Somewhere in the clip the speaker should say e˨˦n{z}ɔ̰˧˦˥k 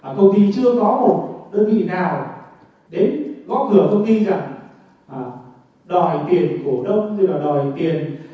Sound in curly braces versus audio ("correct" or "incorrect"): incorrect